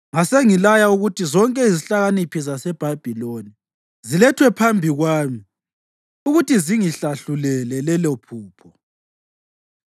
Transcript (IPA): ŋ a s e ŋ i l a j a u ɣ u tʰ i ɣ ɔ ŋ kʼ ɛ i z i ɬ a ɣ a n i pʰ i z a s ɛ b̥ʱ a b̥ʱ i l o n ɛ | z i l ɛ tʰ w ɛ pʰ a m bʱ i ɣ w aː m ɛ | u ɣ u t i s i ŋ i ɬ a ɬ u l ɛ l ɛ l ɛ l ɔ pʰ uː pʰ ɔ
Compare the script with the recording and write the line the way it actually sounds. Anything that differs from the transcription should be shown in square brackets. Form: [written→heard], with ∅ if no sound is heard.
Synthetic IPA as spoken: ŋ a s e ŋ i l a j a u ɣ u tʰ i [ɣ→z] ɔ ŋ kʼ ɛ i z i ɬ a ɣ a n i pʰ i z a s ɛ b̥ʱ a b̥ʱ i l o n [ɛ→i] | z i l ɛ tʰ w ɛ pʰ a m bʱ i ɣ w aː m [ɛ→i] | u ɣ u t i [s→z] i ŋ i ɬ a ɬ u l ɛ l ɛ l ɛ l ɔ pʰ uː pʰ ɔ